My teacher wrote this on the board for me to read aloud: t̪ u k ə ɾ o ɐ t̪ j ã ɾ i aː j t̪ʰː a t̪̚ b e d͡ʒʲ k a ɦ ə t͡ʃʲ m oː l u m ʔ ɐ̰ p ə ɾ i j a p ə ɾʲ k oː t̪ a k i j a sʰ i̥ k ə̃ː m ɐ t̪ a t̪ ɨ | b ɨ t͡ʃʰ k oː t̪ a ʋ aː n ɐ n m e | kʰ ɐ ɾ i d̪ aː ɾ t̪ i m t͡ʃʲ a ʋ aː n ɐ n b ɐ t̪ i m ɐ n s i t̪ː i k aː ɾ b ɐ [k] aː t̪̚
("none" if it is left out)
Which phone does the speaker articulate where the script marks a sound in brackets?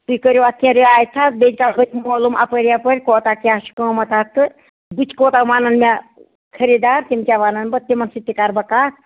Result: k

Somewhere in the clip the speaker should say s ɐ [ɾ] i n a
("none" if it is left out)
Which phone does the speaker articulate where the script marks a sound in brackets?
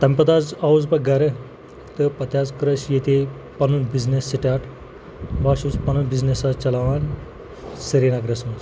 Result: ɾ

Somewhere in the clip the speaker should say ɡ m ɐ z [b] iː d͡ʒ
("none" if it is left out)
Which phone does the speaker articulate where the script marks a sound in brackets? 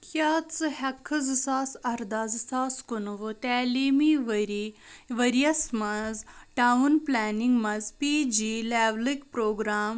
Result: p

